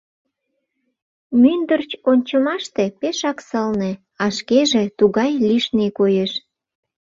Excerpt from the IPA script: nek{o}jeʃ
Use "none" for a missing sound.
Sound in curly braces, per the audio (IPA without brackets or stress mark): o